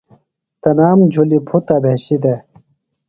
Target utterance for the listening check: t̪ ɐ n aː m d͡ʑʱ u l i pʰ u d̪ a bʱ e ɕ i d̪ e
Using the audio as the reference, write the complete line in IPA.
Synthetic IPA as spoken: t̪ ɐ n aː m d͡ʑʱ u l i pʰ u t̪ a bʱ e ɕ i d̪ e